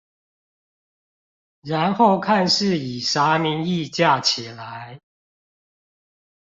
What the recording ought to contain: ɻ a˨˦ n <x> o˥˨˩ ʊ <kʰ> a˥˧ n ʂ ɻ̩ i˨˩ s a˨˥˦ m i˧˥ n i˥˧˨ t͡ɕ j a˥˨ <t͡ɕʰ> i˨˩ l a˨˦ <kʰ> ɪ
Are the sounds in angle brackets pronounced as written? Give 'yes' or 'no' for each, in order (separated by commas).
yes, yes, yes, no